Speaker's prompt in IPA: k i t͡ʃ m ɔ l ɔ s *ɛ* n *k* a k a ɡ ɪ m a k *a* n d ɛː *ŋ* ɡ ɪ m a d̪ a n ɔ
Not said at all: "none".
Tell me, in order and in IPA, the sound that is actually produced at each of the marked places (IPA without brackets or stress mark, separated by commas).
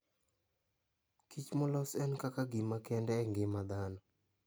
ɛ, k, ɛ, ŋ